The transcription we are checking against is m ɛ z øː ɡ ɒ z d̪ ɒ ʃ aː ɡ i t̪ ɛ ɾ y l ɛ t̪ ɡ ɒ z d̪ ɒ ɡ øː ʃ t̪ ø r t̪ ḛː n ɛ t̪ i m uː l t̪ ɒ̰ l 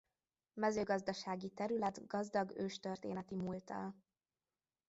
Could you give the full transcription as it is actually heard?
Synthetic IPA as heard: m ɛ z øː ɡ ɒ z d̪ ɒ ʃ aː ɡ i t̪ ɛ ɾ y l ɛ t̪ ɡ ɒ z d̪ ɒ ɡ øː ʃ t̪ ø r t̪ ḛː n ɛ t̪ i m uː l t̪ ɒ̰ l

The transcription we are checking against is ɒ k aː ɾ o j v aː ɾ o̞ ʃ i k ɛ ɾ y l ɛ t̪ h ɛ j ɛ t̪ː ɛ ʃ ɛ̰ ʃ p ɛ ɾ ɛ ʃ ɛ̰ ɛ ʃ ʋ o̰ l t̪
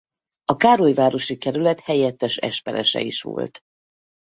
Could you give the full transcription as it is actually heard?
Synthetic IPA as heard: ɒ k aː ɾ o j v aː ɾ o̞ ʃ i k ɛ ɾ y l ɛ t̪ h ɛ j ɛ t̪ː ɛ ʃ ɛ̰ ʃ p ɛ ɾ ɛ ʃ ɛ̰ i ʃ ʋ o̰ l t̪

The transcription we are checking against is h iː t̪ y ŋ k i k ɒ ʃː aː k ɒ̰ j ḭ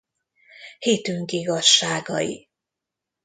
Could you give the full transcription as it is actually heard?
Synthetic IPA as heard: h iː t̪ y ŋ k i ɡ ɒ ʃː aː ɡ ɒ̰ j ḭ

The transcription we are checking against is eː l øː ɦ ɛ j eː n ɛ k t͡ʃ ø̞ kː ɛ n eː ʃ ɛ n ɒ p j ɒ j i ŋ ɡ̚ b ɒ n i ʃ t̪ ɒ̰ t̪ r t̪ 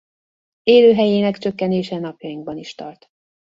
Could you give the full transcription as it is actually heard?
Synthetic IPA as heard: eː l øː ɦ ɛ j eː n ɛ k t͡ʃ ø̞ kː ɛ n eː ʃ ɛ n ɒ p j ɒ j i ŋ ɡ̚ b ɒ n i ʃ t̪ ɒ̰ r t̪

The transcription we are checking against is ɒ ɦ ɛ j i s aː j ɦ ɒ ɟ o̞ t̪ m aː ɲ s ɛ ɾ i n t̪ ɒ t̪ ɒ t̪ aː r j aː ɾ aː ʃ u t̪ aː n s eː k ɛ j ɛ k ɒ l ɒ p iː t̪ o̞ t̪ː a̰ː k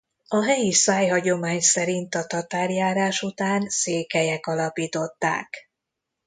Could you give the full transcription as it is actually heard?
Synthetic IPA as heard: ɒ ɦ ɛ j i s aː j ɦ ɒ ɟ o̞ m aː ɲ s ɛ ɾ i n t̪ ɒ t̪ ɒ t̪ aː r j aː ɾ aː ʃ u t̪ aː n s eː k ɛ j ɛ k ɒ l ɒ p iː t̪ o̞ t̪ː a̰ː k

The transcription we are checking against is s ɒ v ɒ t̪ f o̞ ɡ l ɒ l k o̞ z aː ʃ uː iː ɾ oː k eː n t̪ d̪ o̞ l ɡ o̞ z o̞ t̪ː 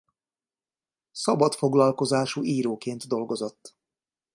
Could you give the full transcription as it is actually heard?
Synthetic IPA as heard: s ɒ b ɒ t̪ f o̞ ɡ l ɒ l k o̞ z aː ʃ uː iː ɾ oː k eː n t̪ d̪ o̞ l ɡ o̞ z o̞ t̪ː

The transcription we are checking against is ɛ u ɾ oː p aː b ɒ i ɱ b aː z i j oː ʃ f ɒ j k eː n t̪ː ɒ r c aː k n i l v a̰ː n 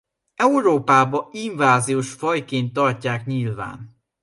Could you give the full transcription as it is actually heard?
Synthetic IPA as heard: ɛ u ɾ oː p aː b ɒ i ɱ v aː z i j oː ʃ f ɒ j k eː n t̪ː ɒ r c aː k ɲ i l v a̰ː n

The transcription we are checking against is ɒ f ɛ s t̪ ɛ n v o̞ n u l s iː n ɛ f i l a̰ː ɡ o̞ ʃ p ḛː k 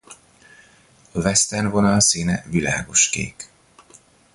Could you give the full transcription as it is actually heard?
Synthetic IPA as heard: ɒ v ɛ s t̪ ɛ n v o̞ n ɒ l s iː n ɛ v i l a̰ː ɡ o̞ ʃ k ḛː k

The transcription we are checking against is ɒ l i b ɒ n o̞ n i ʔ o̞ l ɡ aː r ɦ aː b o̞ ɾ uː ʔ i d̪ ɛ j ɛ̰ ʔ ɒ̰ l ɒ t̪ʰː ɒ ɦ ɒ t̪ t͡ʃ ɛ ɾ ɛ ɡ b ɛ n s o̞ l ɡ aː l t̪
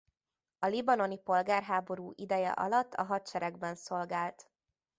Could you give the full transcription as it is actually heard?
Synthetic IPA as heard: ɒ l i b ɒ n o̞ n i p o̞ l ɡ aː r ɦ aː b o̞ ɾ uː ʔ i d̪ ɛ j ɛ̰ ʔ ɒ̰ l ɒ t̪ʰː ɒ ɦ ɒ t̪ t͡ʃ ɛ ɾ ɛ ɡ b ɛ n s o̞ l ɡ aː l t̪

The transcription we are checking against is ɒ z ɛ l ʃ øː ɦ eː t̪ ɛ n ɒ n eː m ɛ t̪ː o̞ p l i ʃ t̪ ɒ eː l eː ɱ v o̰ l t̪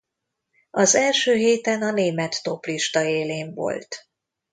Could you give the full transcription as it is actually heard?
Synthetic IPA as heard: ɒ z ɛ l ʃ øː ɦ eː t̪ ɛ n ɒ n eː m ɛ t̪ː o̞ p l i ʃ t̪ ɒ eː l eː ɱ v o̰ l t̪

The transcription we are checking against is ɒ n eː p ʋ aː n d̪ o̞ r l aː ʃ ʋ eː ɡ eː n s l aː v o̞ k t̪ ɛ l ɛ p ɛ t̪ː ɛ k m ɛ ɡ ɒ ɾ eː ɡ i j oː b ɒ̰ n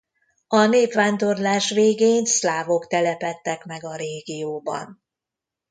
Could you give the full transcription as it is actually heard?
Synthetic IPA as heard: ɒ n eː p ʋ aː n d̪ o̞ r l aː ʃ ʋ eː ɡ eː n s l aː v o̞ k t̪ ɛ l ɛ p ɛ t̪ː ɛ k m ɛ ɡ ɒ ɾ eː ɡ i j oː b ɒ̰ n

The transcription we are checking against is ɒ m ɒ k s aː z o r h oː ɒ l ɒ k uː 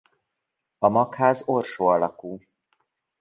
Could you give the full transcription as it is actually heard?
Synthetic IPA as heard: ɒ m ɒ k h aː z o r ʃ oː ɒ l ɒ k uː

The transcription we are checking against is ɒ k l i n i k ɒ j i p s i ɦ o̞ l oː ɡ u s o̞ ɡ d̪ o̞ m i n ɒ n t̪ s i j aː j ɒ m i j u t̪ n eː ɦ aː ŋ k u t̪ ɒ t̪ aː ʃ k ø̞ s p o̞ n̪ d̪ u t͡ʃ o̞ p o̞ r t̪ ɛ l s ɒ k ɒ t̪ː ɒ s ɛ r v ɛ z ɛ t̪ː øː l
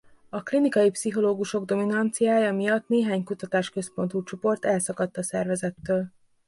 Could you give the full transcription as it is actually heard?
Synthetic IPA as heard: ɒ k l i n i k ɒ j i p s i ɦ o̞ l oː ɡ u ʃ o̞ ɡ d̪ o̞ m i n ɒ n t̪ s i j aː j ɒ m i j ɒ t̪ n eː ɦ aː ɲ k u t̪ ɒ t̪ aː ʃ k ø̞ s p o̞ n̪ t̪ u t͡ʃ o̞ p o̞ r t̪ ɛ l s ɒ k ɒ t̪ː ɒ s ɛ r v ɛ z ɛ t̪ː øː l

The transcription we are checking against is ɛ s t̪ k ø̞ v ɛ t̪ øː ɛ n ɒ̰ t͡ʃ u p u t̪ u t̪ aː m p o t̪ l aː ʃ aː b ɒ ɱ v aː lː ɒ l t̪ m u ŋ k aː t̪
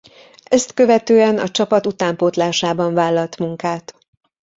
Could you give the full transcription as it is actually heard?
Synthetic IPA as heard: ɛ s t̪ k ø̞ v ɛ t̪ øː ɛ n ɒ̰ t͡ʃ ɒ p ɒ t̪ u t̪ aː m p o t̪ l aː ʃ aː b ɒ ɱ v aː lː ɒ l t̪ m u ŋ k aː t̪

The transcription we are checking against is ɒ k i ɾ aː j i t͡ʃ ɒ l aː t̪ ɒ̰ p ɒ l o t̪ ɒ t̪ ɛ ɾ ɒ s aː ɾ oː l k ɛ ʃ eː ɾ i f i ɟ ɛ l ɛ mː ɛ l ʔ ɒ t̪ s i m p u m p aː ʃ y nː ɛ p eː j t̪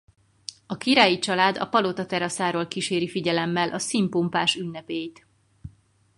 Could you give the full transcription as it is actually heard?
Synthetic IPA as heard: ɒ k i ɾ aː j i t͡ʃ ɒ l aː d̪ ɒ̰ p ɒ l o t̪ ɒ t̪ ɛ ɾ ɒ s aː ɾ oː l k i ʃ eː ɾ i f i ɟ ɛ l ɛ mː ɛ l ʔ ɒ s i m p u m p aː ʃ y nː ɛ p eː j t̪

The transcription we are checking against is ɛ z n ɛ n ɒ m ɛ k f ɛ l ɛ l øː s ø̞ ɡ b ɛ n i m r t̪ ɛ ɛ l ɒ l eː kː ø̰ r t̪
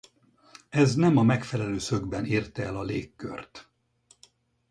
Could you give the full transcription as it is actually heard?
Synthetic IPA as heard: ɛ z n ɛ m ɒ m ɛ k f ɛ l ɛ l øː s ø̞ ɡ b ɛ n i r t̪ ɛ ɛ l ɒ l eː kː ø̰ r t̪

